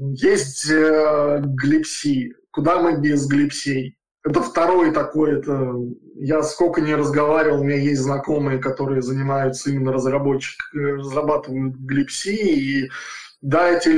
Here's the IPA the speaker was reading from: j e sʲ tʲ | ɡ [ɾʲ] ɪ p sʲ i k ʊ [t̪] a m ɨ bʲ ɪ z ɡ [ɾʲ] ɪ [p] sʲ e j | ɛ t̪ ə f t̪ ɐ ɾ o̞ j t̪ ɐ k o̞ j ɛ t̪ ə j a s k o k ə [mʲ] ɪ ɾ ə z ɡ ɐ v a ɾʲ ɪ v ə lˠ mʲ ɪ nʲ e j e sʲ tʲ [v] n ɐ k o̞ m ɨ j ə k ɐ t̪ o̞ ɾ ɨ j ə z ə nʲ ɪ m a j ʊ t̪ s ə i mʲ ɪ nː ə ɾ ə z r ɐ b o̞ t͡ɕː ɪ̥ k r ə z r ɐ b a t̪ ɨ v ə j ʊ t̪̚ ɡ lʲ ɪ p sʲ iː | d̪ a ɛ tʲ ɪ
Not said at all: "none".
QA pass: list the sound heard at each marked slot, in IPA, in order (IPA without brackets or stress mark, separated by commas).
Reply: lʲ, d̪, lʲ, p, nʲ, z